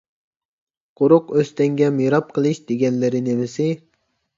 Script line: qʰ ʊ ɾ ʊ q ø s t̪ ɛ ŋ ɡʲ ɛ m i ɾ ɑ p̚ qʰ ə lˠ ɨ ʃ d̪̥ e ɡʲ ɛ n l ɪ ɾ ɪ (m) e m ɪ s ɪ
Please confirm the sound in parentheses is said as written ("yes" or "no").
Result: no